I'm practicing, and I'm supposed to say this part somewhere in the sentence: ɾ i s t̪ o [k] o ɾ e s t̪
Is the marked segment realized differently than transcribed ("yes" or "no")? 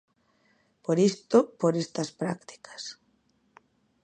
yes